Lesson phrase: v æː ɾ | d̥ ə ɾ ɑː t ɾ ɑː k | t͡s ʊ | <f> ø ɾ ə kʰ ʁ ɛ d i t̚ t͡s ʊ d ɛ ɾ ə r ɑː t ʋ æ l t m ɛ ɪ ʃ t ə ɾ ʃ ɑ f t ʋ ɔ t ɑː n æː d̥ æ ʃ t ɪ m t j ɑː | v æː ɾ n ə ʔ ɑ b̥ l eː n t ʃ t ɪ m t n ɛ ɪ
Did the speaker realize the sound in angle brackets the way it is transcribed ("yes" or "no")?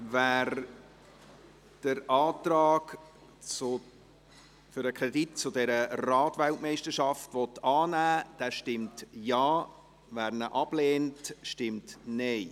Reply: yes